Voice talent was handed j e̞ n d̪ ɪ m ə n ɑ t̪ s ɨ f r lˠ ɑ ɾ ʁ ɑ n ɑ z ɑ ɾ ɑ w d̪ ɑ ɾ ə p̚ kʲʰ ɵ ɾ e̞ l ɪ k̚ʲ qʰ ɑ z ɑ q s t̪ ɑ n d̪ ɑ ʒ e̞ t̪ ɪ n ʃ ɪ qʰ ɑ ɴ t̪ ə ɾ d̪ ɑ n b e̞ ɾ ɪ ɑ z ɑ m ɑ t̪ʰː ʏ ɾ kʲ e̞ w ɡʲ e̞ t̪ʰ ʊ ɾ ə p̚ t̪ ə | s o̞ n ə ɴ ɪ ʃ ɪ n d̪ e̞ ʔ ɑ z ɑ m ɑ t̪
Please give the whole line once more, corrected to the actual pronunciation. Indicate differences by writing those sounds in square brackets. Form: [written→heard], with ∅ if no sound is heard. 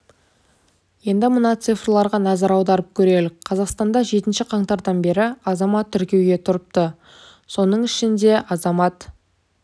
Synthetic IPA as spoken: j e̞ n d̪ ɪ m ə n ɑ t̪ s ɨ f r lˠ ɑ ɾ ʁ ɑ n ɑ z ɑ ɾ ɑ w d̪ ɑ ɾ ə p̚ kʲʰ ɵ ɾ e̞ l ɪ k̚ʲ qʰ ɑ z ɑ q s t̪ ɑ n d̪ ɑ ʒ e̞ t̪ ɪ n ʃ ɪ qʰ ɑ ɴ t̪ [ə→ɑ] ɾ d̪ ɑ n b e̞ ɾ ɪ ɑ z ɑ m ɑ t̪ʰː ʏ ɾ kʲ e̞ w ɡʲ e̞ t̪ʰ ʊ ɾ ə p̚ t̪ ə | s o̞ n ə ɴ ɪ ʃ ɪ n d̪ e̞ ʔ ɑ z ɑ m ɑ t̪